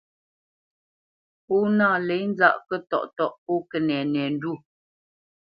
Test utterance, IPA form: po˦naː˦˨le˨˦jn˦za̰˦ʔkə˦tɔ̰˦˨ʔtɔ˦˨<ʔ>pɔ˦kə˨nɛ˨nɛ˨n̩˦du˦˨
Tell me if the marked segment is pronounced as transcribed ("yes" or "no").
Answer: yes